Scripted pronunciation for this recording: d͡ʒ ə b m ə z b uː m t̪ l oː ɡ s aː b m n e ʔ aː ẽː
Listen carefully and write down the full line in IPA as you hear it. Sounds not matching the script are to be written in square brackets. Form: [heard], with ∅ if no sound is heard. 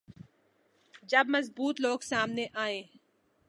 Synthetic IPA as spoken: d͡ʒ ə b m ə z b uː [∅] t̪ l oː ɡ s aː [∅] m n e ʔ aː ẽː